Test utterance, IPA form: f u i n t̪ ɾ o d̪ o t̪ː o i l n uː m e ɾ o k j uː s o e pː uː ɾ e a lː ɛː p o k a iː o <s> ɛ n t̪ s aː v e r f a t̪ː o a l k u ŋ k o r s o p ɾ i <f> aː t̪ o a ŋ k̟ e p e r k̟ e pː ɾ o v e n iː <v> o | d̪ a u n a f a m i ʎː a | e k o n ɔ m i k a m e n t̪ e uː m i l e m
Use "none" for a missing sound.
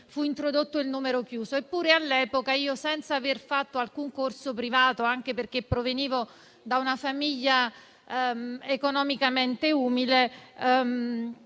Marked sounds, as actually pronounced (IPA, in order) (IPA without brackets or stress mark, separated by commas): s, v, v